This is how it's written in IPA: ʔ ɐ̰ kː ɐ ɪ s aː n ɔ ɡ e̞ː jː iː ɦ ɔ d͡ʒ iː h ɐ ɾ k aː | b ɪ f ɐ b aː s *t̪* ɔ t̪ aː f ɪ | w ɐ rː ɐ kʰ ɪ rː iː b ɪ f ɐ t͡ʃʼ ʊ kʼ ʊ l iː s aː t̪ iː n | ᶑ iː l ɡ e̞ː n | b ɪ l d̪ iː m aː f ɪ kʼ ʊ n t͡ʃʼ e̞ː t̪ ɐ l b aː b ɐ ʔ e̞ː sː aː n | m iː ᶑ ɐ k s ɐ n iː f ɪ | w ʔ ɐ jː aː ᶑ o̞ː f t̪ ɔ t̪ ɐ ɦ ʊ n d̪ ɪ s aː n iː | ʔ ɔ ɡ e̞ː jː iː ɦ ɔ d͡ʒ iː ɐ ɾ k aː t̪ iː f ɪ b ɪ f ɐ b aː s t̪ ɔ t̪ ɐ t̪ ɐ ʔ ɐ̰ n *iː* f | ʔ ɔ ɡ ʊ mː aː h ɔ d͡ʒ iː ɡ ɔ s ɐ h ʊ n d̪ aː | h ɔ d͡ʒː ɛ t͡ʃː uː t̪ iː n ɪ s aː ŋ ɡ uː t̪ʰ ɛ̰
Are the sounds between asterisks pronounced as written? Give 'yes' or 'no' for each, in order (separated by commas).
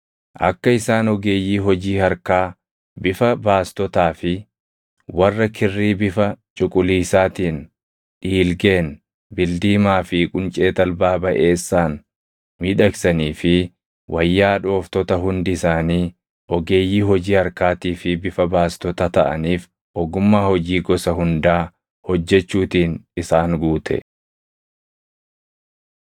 yes, yes